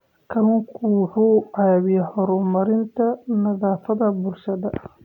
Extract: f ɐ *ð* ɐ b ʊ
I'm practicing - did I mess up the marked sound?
no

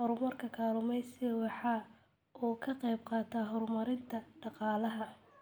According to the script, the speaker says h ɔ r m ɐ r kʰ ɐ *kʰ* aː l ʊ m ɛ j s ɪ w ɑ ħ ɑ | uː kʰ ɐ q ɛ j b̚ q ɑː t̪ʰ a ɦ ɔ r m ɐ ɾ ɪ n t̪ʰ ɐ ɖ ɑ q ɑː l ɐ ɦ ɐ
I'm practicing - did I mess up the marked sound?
no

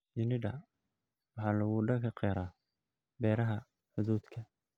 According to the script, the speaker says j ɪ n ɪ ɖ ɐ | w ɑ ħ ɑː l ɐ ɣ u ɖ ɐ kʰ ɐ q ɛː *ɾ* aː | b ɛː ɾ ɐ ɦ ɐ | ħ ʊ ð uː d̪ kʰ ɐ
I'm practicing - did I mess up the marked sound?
no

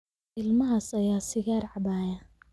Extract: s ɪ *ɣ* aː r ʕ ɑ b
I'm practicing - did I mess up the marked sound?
no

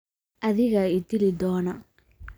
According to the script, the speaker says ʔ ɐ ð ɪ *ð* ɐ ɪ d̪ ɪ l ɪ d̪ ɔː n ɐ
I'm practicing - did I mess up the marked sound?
yes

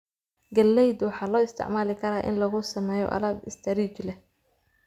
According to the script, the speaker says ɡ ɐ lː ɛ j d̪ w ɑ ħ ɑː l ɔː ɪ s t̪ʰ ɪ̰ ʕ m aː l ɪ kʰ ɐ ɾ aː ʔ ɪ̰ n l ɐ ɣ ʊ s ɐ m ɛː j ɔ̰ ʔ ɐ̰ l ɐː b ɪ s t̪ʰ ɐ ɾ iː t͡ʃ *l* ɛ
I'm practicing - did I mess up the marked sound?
no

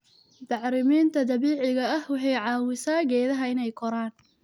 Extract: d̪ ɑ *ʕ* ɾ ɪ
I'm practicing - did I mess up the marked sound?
no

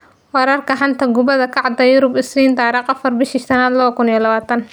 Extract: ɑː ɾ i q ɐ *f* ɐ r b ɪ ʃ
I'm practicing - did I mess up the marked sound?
no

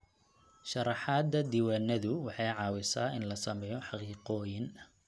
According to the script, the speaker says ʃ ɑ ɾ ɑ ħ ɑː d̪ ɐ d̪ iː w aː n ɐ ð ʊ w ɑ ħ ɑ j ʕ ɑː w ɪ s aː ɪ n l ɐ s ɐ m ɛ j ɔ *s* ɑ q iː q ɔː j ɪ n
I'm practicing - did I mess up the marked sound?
yes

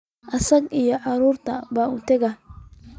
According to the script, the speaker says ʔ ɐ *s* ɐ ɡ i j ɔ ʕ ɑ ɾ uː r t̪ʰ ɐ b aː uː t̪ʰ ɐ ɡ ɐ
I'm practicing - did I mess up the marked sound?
no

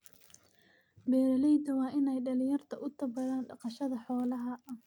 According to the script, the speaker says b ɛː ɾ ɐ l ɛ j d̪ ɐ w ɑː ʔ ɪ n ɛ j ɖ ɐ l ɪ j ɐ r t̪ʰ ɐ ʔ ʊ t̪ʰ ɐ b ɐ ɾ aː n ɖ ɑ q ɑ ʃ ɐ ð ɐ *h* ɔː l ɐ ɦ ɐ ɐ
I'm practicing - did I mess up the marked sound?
yes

